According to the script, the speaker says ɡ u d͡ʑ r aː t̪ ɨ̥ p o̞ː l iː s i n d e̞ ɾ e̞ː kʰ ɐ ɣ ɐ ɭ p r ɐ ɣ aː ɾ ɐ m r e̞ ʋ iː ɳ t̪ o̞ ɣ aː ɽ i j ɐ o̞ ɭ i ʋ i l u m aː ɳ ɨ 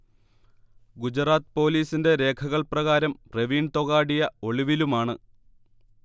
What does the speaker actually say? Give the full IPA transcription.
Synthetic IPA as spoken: ɡ u d͡ʑ r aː t̪ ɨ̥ p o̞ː l iː s i n d e̞ ɾ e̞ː kʰ ɐ ɣ ɐ ɭ p r ɐ ɣ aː ɾ ɐ m r e̞ ʋ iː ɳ t̪ o̞ ɣ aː ɽ i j ɐ o̞ ɭ i ʋ i l u m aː ɳ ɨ